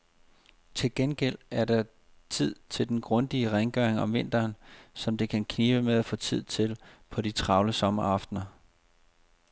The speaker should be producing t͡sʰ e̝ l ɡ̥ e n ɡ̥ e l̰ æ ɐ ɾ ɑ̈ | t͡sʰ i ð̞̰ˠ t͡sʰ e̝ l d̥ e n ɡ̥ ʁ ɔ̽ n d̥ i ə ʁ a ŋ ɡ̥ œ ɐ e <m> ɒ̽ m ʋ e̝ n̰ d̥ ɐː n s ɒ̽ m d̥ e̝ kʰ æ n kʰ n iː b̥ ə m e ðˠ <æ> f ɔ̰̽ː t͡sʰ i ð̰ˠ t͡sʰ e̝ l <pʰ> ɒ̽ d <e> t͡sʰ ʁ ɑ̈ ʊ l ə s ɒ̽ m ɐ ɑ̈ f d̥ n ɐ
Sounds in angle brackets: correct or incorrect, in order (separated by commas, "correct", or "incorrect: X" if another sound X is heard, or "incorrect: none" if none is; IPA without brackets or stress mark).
incorrect: ŋ, correct, correct, incorrect: i